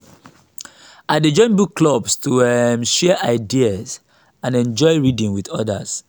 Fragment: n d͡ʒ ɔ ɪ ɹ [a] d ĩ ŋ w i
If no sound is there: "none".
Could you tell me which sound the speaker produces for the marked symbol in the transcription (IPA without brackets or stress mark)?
i